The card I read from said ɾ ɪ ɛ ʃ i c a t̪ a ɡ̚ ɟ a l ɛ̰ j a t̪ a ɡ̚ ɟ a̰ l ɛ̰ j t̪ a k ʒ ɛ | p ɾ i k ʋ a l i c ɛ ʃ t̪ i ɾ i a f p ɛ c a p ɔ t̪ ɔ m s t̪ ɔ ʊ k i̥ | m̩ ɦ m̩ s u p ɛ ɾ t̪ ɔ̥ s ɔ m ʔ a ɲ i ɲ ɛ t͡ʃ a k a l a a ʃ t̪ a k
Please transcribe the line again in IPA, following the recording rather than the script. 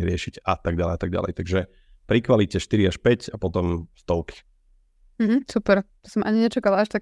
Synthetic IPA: ɾ ɪ ɛ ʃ i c a t̪ a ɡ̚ ɟ a l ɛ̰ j a t̪ a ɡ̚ ɟ a̰ l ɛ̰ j t̪ a ɡ ʒ ɛ | p ɾ i k ʋ a l i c ɛ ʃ t̪ i ɾ i a ʃ p ɛ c a p ɔ t̪ ɔ m s t̪ ɔ ʊ k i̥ | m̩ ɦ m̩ s u p ɛ ɾ t̪ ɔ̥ s ɔ m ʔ a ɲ i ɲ ɛ t͡ʃ a k a l a a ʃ t̪ a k